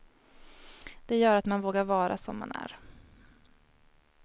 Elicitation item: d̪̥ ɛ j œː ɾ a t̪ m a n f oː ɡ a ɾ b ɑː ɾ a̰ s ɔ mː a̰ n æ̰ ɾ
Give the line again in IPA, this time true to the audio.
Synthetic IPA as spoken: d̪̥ ɛ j œː ɾ a t̪ m a n v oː ɡ a ɾ v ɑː ɾ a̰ s ɔ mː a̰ n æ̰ ɾ